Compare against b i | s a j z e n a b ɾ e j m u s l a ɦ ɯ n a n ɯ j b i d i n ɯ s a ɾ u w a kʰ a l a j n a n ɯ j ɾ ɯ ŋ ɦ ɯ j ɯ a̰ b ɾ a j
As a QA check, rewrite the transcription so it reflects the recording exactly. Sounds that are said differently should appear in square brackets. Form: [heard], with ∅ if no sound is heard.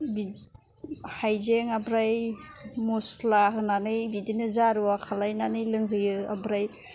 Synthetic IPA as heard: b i | [h] a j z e [ŋ] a b ɾ [a] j m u s l a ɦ ɯ n a n ɯ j b i d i n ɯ [z] a ɾ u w a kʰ a l a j n a n ɯ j [l] ɯ ŋ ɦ ɯ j ɯ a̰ b ɾ a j